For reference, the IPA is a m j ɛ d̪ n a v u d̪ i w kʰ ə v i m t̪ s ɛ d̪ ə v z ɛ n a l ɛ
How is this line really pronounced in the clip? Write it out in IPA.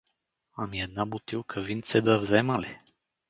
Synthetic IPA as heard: a m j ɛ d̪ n a b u t̪ i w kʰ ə v i n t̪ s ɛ d̪ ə v z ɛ m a l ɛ